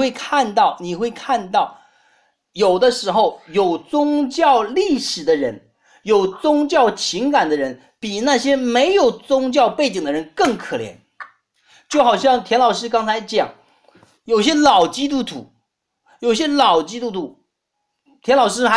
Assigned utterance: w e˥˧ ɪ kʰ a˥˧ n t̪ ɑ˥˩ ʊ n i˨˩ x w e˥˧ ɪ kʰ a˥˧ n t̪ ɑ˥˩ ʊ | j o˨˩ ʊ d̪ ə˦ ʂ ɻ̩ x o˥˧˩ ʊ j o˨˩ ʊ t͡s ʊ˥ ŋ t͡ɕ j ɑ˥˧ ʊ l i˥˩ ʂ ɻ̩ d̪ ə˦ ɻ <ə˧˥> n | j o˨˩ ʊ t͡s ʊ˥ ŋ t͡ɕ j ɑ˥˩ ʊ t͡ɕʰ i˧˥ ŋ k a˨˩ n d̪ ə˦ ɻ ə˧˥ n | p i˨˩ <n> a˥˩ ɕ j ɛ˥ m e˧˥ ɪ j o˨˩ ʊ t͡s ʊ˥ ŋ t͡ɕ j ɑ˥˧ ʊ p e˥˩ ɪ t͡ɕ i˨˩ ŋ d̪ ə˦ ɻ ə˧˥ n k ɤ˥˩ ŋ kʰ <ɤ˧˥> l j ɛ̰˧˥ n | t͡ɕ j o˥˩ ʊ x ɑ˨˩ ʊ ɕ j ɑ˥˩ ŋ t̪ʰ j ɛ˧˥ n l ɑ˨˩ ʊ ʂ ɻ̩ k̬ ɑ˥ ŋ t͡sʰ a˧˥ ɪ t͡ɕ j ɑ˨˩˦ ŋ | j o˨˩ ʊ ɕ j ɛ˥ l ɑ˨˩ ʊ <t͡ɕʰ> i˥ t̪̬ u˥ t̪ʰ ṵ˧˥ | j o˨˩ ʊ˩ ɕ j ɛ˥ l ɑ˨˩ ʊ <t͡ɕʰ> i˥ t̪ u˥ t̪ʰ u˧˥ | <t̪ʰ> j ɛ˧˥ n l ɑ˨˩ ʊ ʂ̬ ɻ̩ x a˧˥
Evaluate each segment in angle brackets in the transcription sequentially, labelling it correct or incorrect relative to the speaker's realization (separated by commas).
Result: correct, correct, incorrect, incorrect, incorrect, correct